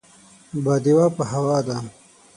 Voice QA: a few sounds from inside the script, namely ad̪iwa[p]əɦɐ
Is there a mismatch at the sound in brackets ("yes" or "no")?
no